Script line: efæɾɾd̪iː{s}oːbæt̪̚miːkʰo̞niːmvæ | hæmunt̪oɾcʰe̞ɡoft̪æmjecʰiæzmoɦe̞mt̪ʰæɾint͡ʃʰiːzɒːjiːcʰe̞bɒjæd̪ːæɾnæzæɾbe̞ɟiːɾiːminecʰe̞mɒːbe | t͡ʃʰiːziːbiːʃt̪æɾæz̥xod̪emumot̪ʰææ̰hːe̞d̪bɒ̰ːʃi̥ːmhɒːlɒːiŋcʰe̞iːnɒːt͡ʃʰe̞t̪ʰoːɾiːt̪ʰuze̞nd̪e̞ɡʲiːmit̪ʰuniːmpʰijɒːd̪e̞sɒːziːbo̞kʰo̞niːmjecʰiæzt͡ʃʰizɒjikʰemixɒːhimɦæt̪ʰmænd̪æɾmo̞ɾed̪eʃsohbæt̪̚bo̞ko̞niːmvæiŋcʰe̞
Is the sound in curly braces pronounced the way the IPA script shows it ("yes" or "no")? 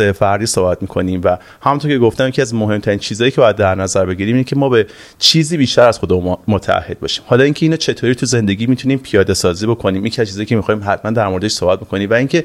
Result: yes